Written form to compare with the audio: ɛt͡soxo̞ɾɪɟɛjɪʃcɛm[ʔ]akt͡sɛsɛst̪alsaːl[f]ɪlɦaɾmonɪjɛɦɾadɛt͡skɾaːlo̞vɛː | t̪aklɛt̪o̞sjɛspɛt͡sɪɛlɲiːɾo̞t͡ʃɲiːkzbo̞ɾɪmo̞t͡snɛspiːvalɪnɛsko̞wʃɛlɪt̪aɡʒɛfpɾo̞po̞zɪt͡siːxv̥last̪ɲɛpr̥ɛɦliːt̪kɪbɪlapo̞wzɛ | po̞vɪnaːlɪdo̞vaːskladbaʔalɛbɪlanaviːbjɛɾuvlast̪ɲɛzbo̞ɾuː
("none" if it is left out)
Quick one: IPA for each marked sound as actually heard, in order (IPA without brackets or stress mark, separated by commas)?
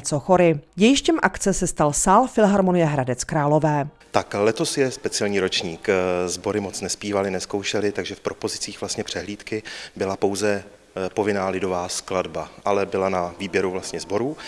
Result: ʔ, f